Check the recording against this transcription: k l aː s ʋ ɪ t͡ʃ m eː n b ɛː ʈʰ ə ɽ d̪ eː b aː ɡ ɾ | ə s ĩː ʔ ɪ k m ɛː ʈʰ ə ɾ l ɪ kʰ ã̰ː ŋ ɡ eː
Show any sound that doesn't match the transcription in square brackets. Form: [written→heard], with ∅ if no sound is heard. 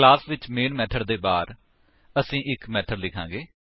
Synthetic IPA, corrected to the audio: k l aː s ʋ ɪ t͡ʃ m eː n [b→m] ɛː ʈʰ ə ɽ d̪ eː b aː [ɡ→∅] ɾ | ə s ĩː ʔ ɪ k m ɛː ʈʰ ə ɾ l ɪ kʰ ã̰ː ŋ ɡ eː